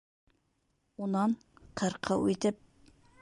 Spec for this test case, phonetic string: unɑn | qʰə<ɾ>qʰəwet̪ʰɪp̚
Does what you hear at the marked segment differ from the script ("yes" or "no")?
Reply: no